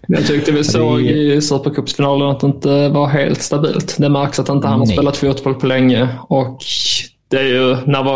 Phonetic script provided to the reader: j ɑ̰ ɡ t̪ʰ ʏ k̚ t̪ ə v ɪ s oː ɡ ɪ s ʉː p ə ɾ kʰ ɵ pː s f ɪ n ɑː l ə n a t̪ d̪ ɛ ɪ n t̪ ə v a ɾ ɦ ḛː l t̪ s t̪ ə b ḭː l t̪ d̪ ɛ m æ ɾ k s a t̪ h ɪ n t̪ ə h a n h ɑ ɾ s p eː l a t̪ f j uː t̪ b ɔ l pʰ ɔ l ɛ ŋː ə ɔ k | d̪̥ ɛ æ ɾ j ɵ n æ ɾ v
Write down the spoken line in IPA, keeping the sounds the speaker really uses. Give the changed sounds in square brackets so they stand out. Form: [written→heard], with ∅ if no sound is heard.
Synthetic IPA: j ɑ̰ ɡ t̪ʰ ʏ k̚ t̪ ə v ɪ s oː ɡ ɪ s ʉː p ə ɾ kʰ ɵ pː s f ɪ n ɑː l ə n a t̪ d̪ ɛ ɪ n t̪ ə v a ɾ ɦ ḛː l t̪ s t̪ [ə→a] b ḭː l t̪ d̪ ɛ m æ ɾ k s a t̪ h ɪ n t̪ ə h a n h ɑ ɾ s p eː l a t̪ f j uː t̪ b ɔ l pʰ ɔ l ɛ ŋː ə ɔ k | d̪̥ ɛ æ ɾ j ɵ n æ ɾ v